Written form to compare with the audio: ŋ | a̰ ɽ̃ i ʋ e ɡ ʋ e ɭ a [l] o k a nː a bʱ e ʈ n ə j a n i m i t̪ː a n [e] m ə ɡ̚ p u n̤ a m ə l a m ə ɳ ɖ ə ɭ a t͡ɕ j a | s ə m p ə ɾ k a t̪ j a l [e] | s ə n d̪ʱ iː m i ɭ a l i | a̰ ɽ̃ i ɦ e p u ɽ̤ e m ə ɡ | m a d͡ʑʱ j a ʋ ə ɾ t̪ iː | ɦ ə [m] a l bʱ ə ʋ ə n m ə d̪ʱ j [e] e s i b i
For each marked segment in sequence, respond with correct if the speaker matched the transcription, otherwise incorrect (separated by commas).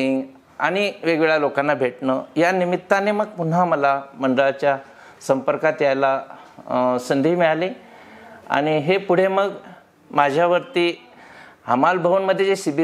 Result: correct, correct, incorrect, correct, correct